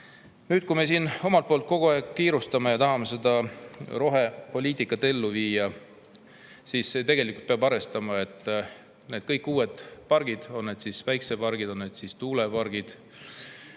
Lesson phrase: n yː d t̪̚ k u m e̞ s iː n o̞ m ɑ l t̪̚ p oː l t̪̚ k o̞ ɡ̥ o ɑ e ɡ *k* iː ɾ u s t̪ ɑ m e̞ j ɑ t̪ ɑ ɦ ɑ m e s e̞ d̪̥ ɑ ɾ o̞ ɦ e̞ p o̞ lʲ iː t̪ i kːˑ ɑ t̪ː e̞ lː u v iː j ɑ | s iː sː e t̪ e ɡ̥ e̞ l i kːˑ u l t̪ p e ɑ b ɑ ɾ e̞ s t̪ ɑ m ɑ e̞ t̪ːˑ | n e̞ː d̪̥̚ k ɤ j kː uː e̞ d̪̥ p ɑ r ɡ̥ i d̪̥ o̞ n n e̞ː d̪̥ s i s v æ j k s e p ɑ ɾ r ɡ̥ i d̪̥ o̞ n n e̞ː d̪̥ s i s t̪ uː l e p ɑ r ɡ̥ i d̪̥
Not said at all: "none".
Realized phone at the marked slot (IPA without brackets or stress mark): k